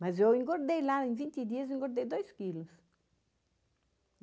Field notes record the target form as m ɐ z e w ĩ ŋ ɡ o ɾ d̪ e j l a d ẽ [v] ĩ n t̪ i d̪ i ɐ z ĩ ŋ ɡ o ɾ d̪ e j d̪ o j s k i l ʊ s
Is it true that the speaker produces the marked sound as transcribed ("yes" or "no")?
yes